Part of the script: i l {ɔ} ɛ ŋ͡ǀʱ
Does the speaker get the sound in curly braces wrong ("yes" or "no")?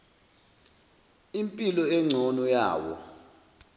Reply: no